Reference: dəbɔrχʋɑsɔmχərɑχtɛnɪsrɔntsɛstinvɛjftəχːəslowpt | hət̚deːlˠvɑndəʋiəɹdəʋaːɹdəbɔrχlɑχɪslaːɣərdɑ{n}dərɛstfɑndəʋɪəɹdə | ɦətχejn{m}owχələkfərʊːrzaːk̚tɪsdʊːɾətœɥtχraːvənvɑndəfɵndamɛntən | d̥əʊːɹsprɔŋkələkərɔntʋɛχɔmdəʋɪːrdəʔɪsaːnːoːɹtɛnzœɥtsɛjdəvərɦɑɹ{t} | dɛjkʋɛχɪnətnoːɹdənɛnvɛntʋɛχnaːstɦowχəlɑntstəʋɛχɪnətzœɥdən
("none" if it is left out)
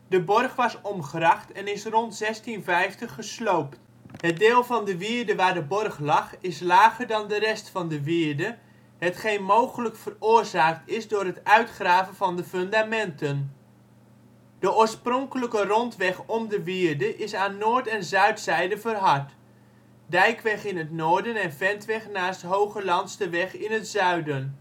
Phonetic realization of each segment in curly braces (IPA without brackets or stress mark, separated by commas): n, m, t